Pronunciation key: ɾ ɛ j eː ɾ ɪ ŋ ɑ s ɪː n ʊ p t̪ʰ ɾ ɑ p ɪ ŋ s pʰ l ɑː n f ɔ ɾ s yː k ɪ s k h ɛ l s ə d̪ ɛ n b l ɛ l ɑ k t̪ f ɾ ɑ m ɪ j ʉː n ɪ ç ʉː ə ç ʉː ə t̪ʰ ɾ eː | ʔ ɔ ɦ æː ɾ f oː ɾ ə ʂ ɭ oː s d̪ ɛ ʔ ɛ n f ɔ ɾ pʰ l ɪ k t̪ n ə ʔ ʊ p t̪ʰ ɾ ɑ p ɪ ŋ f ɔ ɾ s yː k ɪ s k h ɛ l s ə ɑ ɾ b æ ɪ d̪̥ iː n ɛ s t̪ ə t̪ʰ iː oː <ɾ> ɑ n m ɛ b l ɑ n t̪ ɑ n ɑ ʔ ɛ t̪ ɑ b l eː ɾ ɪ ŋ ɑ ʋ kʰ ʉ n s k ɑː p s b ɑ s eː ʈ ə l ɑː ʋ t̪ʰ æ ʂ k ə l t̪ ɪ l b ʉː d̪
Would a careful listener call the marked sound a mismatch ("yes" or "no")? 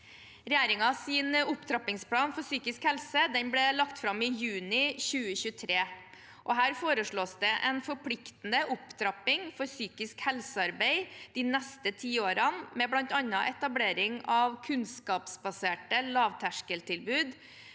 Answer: no